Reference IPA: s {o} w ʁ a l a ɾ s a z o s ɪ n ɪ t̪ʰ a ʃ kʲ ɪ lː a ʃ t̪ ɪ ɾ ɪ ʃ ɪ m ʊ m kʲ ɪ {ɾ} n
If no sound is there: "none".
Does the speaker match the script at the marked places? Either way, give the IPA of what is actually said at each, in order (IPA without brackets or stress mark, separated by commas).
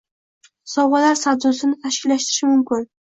ɒ, none